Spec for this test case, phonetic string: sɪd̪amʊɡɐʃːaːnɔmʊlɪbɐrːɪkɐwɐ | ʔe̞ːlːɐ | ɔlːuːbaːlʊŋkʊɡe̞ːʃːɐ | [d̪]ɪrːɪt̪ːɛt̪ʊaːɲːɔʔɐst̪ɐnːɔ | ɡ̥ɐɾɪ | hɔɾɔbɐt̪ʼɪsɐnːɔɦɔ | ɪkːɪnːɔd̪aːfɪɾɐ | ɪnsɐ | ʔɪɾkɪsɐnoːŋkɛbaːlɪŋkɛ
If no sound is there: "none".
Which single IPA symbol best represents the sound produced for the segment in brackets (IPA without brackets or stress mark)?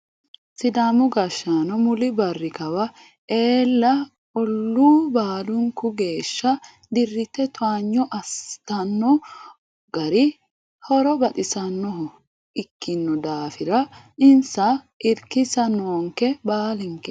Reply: d̪